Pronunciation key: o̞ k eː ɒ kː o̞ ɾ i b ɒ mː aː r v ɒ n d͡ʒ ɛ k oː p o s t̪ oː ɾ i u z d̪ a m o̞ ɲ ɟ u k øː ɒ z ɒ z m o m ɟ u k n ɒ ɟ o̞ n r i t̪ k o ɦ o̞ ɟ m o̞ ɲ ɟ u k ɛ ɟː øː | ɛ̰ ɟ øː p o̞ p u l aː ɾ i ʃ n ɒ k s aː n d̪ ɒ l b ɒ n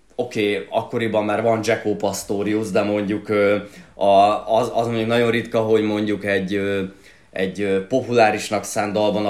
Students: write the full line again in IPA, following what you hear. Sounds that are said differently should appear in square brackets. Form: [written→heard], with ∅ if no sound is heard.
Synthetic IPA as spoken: o̞ k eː ɒ kː o̞ ɾ i b ɒ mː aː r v ɒ n d͡ʒ ɛ k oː p [o→ɒ] s t̪ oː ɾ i u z d̪ [a→ɛ] m o̞ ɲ ɟ u k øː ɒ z ɒ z m o [m→ɲ] ɟ u k n ɒ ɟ o̞ n r i t̪ k [o→ɒ] ɦ o̞ ɟ m o̞ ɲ ɟ u k ɛ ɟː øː | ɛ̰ ɟ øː p o̞ p u l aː ɾ i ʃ n ɒ k s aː n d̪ ɒ l b ɒ n